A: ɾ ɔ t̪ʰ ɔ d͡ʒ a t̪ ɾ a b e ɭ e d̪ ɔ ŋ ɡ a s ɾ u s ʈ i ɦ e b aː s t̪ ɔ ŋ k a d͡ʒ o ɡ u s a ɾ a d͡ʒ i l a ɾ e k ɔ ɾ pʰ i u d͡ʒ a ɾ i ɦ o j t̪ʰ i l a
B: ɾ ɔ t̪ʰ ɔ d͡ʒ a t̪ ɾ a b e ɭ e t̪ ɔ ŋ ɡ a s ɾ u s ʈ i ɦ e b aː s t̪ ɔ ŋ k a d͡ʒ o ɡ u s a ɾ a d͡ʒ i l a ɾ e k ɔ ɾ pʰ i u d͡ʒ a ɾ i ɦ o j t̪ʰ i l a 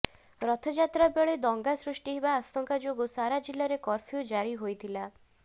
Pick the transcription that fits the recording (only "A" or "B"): A